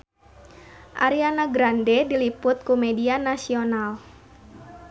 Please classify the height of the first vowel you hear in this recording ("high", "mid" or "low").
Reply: low